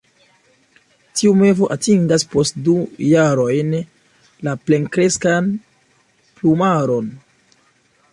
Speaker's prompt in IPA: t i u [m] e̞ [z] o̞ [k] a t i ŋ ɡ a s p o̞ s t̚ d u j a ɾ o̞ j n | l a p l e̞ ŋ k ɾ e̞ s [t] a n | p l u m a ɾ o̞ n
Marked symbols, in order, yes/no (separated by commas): yes, no, no, no